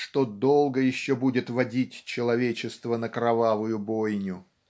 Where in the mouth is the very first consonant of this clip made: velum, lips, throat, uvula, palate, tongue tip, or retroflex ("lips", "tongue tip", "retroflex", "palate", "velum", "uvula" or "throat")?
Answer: retroflex